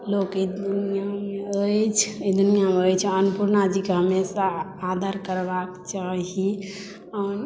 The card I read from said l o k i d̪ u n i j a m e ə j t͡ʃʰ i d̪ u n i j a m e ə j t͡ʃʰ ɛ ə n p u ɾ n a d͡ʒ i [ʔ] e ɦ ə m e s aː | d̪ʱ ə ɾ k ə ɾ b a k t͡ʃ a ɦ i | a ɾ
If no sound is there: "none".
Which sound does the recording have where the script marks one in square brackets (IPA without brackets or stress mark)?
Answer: k